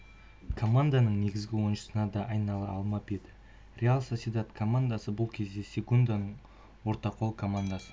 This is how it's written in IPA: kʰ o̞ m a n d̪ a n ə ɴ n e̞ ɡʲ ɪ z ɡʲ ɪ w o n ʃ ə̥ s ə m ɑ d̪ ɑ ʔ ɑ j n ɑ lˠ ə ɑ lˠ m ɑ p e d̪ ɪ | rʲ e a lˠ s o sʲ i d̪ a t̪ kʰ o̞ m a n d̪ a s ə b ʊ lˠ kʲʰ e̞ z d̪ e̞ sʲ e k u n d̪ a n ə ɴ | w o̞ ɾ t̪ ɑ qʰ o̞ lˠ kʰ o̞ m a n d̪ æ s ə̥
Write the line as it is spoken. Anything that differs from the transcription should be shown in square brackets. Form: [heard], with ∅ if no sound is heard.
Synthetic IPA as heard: kʰ o̞ m a n d̪ a n ə ɴ n e̞ ɡʲ ɪ z ɡʲ ɪ w o n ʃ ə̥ s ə [n] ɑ d̪ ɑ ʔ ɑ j n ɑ lˠ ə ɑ lˠ m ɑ p e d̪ ɪ | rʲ e a lˠ s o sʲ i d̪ a t̪ kʰ o̞ m a n d̪ a s ə b ʊ lˠ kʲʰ e̞ z d̪ e̞ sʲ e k u n d̪ a n ə ɴ | w o̞ ɾ t̪ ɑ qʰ o̞ lˠ kʰ o̞ m a n d̪ [a] s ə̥